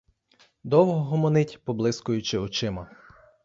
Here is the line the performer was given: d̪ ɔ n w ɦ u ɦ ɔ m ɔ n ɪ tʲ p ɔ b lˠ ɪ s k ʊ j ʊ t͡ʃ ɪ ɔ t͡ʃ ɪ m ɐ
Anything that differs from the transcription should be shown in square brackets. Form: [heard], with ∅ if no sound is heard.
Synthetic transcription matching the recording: d̪ ɔ [∅] w ɦ [ɔ] ɦ ɔ m ɔ n ɪ tʲ p ɔ b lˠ ɪ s k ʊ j ʊ t͡ʃ ɪ ɔ t͡ʃ ɪ m ɐ